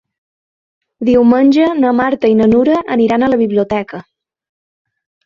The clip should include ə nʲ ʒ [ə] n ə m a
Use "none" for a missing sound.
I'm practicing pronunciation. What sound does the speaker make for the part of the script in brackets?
ə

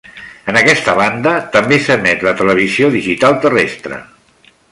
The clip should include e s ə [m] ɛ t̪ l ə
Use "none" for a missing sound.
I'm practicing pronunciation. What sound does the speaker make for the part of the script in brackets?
m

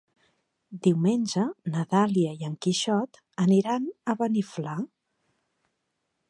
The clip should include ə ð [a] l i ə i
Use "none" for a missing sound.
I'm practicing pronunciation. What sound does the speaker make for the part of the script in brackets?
a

